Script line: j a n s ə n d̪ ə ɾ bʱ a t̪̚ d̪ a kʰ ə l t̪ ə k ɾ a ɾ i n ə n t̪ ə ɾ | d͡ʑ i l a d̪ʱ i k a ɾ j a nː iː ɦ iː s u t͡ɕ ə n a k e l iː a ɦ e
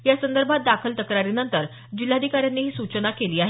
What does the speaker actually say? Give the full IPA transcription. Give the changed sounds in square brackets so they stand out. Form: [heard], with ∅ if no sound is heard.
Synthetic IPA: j a [∅] s ə n d̪ ə ɾ bʱ a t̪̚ d̪ a kʰ ə l t̪ ə k ɾ a ɾ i n ə n t̪ ə ɾ | d͡ʑ i l a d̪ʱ i k a ɾ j a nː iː ɦ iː s u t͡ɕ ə n a k e l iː a ɦ e

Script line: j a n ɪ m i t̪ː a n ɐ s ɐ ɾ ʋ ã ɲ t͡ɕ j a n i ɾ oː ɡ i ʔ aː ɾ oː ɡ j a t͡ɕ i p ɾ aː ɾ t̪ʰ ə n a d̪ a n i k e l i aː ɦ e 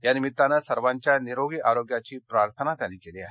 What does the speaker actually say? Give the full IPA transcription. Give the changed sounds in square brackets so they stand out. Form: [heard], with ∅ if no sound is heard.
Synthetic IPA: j a n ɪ m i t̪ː a n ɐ s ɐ ɾ ʋ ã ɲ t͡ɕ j a n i ɾ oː ɡ i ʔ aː ɾ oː ɡ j a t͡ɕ i p ɾ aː ɾ t̪ʰ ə n a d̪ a n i k e l i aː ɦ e

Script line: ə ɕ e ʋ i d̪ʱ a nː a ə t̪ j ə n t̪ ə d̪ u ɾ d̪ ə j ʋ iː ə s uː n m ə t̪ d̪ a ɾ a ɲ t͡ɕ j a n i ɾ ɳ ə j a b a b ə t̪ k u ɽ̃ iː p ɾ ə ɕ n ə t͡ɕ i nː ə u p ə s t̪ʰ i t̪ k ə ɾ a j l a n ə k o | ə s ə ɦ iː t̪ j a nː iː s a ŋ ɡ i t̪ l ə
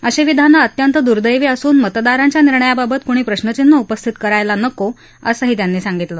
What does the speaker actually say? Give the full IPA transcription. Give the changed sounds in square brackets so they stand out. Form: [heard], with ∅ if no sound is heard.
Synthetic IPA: ə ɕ e ʋ i d̪ʱ a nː a ə t̪ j ə n t̪ ə d̪ u ɾ d̪ ə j ʋ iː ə s uː n m ə t̪ d̪ a ɾ a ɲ t͡ɕ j a n i ɾ ɳ ə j a b a b ə t̪ k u ɽ̃ iː p ɾ ə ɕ n ə t͡ɕ i nː ə u p ə s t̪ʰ i t̪ k ə ɾ a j l a n ə k o | ə s ə ɦ iː t̪ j a nː iː s a ŋ ɡ i t̪ l ə

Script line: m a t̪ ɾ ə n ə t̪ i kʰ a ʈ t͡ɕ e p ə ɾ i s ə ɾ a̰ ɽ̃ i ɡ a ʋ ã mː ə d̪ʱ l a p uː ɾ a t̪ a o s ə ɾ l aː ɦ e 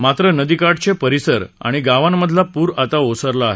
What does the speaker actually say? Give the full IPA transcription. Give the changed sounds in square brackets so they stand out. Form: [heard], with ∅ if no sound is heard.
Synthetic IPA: m a t̪ ɾ ə n ə [d̪] i [k] a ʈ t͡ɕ e p ə ɾ i s ə ɾ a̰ ɽ̃ i ɡ a ʋ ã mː ə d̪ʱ l a p uː ɾ a t̪ a o s ə ɾ l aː ɦ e

